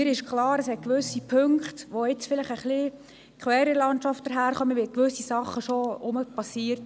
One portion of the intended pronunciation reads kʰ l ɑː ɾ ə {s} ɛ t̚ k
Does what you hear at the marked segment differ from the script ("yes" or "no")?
no